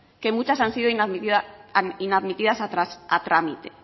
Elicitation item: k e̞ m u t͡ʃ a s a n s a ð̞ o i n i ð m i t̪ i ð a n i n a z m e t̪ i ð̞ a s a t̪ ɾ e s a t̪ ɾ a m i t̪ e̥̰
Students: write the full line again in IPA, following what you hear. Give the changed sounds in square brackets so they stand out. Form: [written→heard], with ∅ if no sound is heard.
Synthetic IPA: k e̞ m u t͡ʃ a s a n s [a→i] ð̞ o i n [i→a] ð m i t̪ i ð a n i n a [z→ð] m [e→i] t̪ i ð̞ a s a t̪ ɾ [e→a] s a t̪ ɾ a m i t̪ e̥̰